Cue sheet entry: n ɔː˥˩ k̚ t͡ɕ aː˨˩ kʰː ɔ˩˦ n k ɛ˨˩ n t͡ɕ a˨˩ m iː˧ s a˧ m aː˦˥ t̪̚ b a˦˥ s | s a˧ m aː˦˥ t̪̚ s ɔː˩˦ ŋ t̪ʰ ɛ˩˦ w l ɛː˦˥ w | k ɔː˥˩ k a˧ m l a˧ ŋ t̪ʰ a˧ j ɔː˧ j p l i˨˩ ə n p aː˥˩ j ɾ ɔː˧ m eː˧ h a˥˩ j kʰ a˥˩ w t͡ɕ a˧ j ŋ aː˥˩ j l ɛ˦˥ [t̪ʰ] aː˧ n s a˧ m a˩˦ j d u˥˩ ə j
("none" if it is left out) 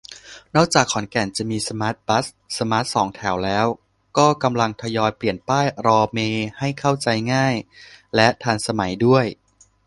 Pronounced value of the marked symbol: t̪ʰ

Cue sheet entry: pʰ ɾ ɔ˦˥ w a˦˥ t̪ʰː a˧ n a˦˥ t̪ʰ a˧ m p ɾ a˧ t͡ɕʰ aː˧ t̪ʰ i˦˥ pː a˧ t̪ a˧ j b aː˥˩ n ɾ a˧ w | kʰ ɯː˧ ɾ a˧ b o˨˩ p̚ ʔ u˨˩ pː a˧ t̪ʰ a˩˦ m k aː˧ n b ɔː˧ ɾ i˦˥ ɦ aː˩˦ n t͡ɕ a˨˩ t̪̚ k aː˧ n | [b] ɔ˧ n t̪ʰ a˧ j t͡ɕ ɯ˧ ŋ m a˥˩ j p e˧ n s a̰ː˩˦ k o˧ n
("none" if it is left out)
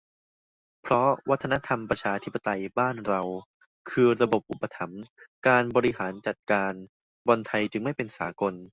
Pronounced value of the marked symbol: b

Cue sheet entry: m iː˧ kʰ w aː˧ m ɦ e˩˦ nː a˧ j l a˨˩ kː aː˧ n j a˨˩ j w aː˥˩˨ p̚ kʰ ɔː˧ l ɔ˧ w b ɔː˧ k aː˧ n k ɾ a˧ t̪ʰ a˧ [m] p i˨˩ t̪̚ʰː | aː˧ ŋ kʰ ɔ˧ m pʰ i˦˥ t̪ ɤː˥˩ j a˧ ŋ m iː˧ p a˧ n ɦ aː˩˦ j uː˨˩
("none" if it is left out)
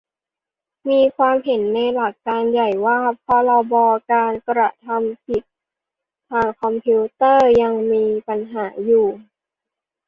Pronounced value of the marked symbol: m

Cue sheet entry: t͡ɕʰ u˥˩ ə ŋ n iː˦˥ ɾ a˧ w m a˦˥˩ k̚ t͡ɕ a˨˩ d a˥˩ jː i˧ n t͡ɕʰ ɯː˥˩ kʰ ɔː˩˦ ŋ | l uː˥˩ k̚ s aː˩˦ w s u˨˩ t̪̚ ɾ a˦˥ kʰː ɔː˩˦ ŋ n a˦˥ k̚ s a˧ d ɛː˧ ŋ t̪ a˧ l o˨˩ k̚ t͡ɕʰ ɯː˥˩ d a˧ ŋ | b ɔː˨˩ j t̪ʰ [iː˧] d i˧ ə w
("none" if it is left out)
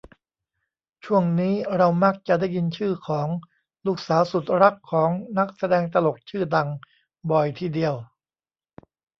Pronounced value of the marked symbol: iː˥˩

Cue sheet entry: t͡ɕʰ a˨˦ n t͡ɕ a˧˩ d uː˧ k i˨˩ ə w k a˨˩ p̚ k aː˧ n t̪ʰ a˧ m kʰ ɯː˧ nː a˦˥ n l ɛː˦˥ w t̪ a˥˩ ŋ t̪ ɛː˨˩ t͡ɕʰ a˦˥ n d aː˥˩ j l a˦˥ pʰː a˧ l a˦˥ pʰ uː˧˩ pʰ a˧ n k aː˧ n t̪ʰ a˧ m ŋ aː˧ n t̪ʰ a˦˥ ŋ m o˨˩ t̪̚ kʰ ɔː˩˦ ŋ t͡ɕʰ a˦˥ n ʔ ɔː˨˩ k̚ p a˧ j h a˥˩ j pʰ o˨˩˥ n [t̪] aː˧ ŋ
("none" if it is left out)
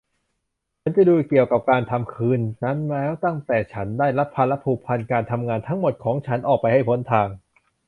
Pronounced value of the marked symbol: t̪ʰ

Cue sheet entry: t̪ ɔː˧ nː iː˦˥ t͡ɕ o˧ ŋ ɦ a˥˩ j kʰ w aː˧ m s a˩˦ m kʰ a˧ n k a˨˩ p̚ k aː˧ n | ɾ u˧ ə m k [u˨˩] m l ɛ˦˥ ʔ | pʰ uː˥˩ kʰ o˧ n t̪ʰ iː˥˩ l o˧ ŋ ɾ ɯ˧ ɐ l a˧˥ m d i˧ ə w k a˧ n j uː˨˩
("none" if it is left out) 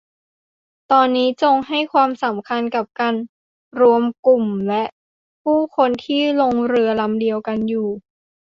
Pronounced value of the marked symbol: u˨˩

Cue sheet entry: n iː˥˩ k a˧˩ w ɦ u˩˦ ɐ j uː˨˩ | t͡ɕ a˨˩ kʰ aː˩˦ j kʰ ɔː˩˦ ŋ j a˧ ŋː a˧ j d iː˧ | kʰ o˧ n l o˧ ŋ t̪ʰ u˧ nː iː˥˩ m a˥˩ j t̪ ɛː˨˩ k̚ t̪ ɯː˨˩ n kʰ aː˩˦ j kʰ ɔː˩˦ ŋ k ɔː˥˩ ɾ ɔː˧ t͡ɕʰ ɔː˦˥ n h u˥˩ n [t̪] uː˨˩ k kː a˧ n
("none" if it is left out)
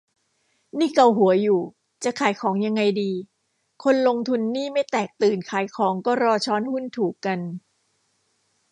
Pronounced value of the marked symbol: t̪ʰ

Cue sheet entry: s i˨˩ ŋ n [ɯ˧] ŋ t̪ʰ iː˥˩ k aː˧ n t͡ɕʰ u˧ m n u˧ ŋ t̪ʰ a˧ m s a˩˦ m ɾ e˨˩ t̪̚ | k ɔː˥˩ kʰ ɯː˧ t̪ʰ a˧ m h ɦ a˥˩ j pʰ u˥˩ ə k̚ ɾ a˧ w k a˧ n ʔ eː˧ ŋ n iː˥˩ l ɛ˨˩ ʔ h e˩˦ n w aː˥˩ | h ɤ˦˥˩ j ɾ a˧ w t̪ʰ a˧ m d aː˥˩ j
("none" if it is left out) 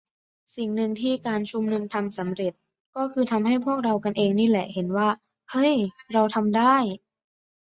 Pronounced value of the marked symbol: ɯ˧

